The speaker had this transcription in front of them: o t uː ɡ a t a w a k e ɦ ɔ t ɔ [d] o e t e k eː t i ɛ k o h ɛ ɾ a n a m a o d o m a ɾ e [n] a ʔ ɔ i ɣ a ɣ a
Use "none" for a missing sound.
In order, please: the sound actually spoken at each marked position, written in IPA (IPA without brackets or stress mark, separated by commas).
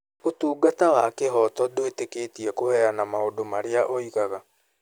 d, none